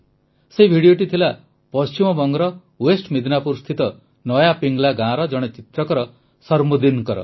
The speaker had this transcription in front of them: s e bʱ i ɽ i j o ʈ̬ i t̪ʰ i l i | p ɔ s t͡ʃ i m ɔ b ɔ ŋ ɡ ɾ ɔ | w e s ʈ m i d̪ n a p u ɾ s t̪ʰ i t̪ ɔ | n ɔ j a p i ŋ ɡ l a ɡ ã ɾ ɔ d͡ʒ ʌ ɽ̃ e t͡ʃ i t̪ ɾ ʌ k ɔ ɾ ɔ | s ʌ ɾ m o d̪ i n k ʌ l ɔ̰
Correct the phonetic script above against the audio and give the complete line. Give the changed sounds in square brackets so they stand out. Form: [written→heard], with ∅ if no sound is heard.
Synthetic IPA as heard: s e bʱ i ɽ i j o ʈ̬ i t̪ʰ i l [i→a] | p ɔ s t͡ʃ i m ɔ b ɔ ŋ ɡ ɾ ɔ | w e s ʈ m i d̪ n a p u ɾ s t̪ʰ i t̪ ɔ | n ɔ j a p i ŋ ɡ l a ɡ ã ɾ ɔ d͡ʒ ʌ ɽ̃ e t͡ʃ i t̪ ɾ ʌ k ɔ ɾ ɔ | s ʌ ɾ m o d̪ i n k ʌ [l→ɾ] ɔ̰